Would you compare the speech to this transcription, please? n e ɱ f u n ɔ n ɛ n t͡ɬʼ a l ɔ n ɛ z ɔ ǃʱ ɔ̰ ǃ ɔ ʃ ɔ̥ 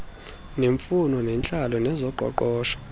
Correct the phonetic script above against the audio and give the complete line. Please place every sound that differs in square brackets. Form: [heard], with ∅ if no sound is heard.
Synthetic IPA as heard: n e ɱ f u n ɔ n ɛ n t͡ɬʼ a l ɔ n ɛ z ɔ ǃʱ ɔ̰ ǃ [ɔː] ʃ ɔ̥